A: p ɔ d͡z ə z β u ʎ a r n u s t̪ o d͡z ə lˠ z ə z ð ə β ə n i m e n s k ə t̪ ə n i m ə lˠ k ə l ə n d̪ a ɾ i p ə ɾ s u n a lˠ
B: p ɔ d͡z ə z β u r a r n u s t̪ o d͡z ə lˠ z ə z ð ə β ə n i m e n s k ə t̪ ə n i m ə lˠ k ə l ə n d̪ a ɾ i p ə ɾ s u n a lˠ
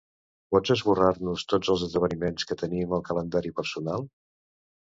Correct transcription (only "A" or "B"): B